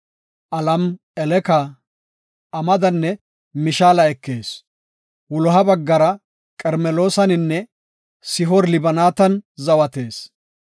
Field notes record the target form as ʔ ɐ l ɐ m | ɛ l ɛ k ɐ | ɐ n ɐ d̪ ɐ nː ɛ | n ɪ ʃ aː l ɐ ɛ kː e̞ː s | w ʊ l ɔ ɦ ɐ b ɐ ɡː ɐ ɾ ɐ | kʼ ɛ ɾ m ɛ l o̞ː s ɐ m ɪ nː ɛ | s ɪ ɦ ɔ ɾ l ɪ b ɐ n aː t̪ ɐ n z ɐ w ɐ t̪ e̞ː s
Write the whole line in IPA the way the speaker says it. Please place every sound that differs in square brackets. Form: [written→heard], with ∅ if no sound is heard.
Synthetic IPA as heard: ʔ ɐ l ɐ m | ɛ l ɛ k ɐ | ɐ [n→m] ɐ d̪ ɐ nː ɛ | [n→m] ɪ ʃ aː l ɐ ɛ kː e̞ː s | w ʊ l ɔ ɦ ɐ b ɐ ɡː ɐ ɾ ɐ | kʼ ɛ ɾ m ɛ l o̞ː s ɐ [m→n] ɪ nː ɛ | s ɪ ɦ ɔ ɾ l ɪ b ɐ n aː t̪ ɐ n z ɐ w ɐ t̪ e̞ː s